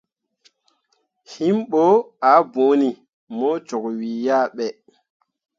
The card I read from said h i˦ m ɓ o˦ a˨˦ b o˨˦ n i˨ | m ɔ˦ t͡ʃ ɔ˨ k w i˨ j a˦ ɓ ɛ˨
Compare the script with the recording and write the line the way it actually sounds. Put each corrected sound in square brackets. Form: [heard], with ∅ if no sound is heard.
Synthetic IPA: h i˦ m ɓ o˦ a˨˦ b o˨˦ n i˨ | m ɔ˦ t͡ʃ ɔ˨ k w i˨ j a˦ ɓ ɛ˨